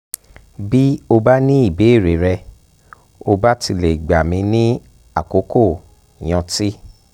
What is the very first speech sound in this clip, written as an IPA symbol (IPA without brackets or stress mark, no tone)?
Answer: b